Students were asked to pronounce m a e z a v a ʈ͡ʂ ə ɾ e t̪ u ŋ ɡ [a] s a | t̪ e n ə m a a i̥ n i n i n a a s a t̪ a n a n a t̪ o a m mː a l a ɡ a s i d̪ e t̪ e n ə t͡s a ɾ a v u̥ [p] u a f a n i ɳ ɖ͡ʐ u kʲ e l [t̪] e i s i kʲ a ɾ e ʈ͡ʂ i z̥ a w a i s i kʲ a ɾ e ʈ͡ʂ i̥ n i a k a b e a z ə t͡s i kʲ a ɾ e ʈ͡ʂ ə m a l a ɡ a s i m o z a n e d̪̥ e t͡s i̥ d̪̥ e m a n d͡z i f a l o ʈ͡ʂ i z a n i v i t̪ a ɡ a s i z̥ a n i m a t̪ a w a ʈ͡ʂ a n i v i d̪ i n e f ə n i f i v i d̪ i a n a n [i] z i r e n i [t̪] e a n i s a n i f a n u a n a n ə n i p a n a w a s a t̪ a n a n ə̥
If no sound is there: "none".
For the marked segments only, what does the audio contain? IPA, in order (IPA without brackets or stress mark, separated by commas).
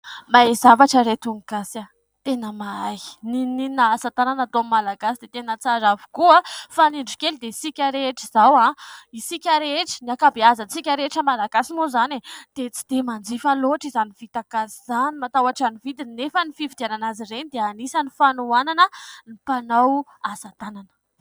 a, k, d̪, a, d̪